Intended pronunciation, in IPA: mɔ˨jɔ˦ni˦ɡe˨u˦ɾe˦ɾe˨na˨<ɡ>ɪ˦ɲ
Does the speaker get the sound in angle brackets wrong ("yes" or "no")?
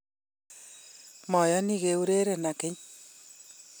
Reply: yes